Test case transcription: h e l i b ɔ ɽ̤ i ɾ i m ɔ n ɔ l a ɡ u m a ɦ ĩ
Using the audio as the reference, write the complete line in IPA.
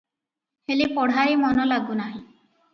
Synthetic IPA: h e l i p ɔ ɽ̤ a ɾ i m ɔ n ɔ l a ɡ u n a ɦ ĩ